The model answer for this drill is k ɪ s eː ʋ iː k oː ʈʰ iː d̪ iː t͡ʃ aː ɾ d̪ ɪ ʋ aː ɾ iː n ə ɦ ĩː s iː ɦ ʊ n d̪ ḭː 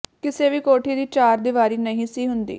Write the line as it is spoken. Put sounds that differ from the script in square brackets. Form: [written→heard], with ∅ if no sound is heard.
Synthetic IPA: k ɪ s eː ʋ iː k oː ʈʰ iː d̪ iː t͡ʃ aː ɾ d̪ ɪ ʋ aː ɾ iː n ə ɦ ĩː s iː ɦ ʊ n d̪ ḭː